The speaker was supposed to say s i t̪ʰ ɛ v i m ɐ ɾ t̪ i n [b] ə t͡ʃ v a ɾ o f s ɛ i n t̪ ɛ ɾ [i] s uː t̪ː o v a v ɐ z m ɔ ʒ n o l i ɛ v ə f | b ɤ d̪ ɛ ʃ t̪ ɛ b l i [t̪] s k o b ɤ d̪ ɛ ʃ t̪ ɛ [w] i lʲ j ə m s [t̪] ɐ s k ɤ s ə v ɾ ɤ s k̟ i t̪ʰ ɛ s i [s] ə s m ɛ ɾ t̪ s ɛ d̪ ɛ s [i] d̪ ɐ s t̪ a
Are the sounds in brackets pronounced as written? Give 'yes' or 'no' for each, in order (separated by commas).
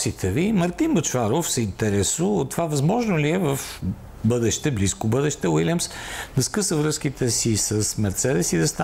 yes, no, no, yes, no, yes, yes